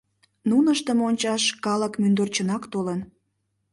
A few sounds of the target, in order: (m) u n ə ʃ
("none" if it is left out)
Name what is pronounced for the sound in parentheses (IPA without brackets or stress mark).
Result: n